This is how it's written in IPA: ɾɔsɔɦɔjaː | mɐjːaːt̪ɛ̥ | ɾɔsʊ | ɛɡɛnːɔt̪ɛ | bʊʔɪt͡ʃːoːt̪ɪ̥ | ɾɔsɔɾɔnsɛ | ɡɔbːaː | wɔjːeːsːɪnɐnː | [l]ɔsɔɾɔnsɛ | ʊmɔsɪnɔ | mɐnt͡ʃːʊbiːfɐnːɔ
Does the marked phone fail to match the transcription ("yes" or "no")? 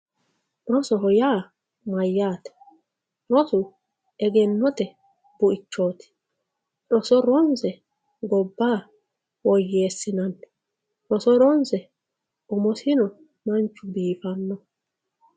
yes